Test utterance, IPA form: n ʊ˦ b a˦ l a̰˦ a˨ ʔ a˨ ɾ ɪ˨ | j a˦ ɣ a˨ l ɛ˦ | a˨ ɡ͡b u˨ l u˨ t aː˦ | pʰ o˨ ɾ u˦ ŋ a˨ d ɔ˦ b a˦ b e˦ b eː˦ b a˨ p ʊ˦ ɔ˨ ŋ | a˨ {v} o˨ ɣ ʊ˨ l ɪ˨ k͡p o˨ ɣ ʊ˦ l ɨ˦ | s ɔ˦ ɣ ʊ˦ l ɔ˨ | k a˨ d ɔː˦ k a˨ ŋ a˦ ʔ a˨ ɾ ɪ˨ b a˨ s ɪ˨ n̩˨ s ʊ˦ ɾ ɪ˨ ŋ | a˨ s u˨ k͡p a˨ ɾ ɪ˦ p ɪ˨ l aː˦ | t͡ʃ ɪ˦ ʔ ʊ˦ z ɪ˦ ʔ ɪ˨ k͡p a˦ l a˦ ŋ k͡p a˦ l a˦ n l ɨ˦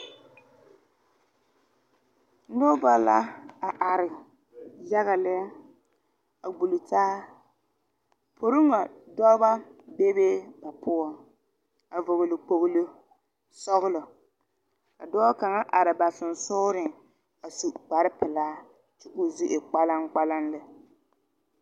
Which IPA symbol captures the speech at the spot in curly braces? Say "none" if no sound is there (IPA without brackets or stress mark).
v